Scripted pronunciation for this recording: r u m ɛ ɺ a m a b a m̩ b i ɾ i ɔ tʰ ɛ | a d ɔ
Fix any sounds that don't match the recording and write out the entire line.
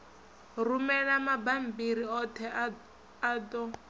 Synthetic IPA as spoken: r u m ɛ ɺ a m a b a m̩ b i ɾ i ɔ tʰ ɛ | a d ɔ